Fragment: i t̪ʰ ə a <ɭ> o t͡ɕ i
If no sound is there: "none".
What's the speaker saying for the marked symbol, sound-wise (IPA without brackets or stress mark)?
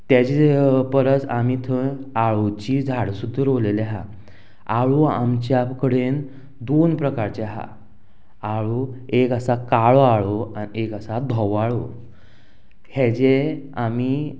ɭ